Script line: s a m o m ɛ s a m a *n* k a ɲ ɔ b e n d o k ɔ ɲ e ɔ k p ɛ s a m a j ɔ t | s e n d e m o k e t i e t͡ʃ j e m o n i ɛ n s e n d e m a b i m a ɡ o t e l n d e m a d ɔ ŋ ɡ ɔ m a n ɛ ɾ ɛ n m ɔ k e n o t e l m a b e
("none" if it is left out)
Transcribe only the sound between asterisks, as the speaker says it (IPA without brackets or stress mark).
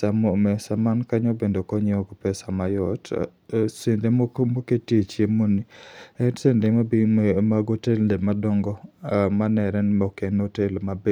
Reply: n